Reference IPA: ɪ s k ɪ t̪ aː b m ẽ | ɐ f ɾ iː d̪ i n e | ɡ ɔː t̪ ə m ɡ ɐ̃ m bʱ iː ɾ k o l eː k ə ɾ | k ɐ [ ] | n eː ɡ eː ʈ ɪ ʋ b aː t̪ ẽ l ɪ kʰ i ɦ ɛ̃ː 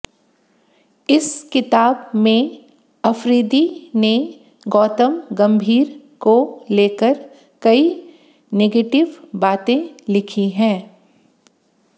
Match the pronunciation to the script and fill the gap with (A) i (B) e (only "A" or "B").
A